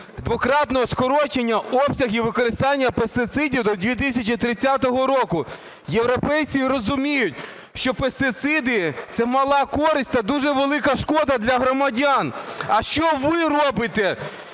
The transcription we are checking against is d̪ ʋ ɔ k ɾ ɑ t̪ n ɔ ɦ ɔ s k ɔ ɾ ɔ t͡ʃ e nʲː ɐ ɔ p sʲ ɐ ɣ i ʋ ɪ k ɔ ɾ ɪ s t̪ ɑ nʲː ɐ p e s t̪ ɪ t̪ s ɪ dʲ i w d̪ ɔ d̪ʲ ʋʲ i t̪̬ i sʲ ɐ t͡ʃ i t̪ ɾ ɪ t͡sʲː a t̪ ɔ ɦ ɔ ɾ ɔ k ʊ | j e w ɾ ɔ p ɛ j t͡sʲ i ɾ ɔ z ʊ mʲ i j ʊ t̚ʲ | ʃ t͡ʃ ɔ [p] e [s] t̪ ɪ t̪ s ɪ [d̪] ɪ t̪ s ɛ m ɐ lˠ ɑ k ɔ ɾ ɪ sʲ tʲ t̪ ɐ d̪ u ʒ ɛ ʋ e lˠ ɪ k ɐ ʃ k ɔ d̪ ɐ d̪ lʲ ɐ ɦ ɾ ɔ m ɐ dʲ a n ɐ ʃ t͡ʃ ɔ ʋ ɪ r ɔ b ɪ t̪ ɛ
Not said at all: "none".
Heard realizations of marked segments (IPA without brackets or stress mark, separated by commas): p, s, d̪